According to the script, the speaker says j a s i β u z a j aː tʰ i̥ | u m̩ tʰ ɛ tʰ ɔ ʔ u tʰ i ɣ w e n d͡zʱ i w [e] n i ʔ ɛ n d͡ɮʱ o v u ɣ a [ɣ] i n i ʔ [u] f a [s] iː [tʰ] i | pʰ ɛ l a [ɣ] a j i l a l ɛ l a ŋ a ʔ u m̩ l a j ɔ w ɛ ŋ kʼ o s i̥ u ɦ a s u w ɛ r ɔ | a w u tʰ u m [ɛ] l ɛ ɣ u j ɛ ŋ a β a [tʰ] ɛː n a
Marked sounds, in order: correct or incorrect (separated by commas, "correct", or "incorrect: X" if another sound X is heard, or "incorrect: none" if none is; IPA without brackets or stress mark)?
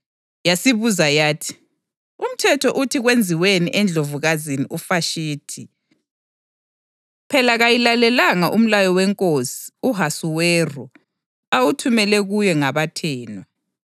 correct, incorrect: z, correct, incorrect: ʃ, correct, correct, correct, correct